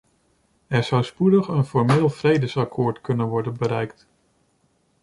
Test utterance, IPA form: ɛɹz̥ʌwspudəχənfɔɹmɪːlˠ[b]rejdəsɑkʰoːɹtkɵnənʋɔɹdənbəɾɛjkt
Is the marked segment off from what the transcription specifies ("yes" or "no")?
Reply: yes